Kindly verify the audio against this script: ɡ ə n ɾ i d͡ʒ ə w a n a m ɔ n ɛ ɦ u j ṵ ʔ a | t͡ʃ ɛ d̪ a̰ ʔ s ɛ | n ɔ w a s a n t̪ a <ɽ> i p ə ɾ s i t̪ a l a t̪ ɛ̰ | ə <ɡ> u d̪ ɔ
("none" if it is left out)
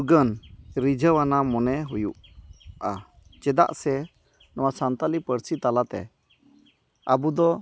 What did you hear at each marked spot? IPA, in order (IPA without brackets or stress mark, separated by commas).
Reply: l, b